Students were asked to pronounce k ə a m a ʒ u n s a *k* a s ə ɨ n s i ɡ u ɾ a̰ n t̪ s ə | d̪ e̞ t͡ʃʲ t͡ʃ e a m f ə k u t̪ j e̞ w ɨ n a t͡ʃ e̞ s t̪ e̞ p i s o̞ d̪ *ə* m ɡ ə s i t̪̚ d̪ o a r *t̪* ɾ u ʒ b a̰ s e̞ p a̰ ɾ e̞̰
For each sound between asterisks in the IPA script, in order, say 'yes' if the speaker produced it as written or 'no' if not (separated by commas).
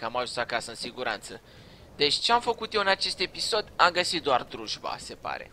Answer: yes, no, no